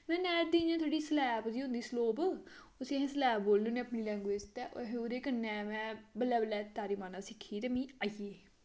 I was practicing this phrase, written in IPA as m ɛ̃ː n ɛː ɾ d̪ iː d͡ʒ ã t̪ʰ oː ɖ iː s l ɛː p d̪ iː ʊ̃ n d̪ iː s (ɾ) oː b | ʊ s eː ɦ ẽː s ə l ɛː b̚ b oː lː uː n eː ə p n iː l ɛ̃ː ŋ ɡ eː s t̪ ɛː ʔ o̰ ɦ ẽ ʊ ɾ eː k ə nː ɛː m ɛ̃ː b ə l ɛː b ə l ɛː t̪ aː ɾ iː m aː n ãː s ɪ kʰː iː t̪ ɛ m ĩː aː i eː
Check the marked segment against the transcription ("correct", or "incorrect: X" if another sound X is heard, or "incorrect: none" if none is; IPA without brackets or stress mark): incorrect: l